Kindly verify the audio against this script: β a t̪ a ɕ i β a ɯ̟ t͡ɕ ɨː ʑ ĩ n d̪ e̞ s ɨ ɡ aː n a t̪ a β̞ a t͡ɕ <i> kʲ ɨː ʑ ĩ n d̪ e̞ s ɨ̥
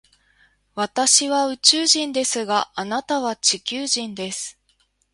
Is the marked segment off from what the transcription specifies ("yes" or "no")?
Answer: no